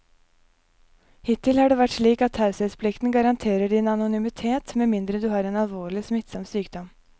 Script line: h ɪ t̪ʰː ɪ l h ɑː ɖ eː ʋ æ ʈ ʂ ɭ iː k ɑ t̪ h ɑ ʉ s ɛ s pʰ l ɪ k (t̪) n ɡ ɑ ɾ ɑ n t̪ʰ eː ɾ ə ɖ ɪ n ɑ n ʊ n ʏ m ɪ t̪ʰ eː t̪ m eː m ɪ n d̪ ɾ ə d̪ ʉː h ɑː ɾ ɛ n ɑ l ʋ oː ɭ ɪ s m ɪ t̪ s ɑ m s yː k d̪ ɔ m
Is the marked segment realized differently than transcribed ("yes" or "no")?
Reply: no